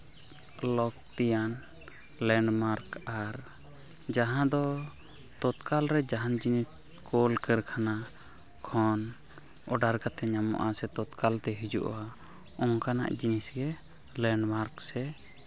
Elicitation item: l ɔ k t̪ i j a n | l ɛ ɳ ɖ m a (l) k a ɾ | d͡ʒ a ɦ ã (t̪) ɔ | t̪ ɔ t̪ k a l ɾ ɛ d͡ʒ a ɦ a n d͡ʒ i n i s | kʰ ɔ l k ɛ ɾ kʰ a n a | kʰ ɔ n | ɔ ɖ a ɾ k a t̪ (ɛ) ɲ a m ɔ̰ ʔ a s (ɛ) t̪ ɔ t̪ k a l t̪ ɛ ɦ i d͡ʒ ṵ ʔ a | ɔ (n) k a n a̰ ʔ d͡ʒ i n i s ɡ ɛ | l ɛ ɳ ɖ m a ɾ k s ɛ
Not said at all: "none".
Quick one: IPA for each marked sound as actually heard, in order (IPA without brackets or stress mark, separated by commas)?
ɾ, d̪, ɛ, ɛ, ŋ